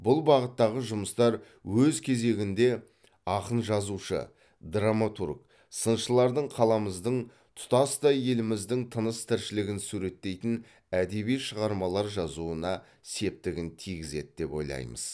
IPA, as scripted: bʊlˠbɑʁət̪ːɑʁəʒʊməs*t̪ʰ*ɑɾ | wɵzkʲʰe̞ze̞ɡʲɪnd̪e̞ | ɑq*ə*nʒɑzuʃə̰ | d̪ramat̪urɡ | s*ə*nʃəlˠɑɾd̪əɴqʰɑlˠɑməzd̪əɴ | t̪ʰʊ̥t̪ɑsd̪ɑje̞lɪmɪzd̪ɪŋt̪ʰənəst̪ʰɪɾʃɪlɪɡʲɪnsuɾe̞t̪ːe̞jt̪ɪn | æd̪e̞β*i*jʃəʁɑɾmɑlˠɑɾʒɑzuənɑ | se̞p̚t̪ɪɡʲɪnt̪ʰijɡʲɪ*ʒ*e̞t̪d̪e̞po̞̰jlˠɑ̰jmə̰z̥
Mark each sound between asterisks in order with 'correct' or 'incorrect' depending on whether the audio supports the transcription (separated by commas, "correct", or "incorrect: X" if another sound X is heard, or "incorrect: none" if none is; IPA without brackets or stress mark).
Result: incorrect: t̪, correct, correct, correct, incorrect: z